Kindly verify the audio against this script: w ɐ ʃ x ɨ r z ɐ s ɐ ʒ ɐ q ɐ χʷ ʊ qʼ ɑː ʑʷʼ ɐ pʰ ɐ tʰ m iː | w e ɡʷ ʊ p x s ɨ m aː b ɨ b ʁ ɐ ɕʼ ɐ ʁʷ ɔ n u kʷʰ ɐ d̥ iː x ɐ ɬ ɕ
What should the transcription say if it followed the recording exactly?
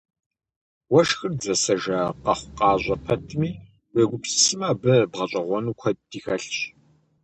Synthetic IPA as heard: w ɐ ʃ x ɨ r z ɐ s ɐ ʒ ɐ q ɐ χʷ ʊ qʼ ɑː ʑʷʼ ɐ pʰ ɐ tʰ m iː | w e ɡʷ ʊ p s s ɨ m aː b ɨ b ʁ ɐ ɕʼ ɐ ʁʷ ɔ n u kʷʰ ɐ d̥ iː x ɐ ɬ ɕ